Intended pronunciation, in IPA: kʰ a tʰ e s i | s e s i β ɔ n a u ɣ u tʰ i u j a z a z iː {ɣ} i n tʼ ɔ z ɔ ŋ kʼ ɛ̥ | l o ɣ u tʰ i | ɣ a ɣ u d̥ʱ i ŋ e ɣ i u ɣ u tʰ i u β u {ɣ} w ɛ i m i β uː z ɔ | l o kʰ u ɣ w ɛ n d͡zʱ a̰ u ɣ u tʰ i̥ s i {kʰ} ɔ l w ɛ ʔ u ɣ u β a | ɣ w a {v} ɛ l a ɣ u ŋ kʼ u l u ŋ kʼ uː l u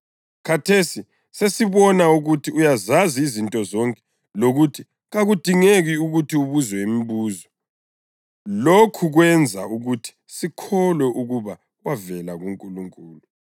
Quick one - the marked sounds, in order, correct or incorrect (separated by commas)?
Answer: incorrect, incorrect, correct, correct